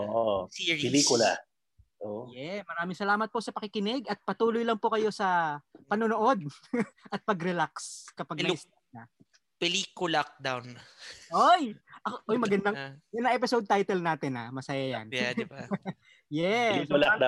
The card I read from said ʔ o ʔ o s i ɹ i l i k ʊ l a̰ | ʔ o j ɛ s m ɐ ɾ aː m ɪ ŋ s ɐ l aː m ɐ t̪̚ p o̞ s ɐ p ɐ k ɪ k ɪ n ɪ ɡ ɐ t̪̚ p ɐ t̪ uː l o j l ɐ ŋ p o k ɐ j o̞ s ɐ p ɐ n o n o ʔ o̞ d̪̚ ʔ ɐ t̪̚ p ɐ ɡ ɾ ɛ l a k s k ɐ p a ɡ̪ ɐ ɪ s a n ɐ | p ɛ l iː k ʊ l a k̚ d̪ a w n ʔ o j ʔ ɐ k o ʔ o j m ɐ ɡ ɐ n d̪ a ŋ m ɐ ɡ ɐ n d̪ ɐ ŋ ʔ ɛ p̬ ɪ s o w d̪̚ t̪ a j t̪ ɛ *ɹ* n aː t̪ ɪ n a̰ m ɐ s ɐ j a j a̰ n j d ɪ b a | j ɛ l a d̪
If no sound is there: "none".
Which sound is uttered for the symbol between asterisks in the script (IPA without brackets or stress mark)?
l